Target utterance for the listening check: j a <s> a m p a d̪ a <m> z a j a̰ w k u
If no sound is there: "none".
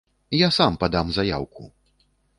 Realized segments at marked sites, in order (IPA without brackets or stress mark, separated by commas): s, m